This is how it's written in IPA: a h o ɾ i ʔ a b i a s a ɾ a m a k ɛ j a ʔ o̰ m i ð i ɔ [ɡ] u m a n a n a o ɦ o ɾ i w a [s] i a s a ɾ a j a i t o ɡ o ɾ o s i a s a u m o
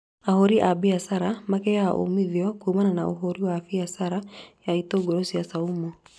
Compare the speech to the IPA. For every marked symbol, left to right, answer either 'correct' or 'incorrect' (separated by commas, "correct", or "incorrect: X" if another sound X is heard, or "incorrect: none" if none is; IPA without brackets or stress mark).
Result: incorrect: k, incorrect: f